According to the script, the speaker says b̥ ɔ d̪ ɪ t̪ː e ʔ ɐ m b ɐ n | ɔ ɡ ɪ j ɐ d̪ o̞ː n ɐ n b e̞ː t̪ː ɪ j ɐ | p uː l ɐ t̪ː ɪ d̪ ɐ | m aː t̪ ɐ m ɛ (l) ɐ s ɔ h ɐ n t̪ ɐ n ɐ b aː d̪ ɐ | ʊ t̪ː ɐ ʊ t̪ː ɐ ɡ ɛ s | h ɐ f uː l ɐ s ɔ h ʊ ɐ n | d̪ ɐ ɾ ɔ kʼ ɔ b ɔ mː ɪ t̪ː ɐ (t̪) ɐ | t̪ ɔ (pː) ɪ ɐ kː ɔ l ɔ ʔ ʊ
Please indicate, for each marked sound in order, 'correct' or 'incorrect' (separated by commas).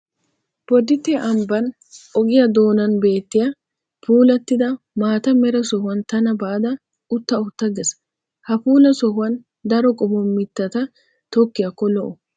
incorrect, correct, incorrect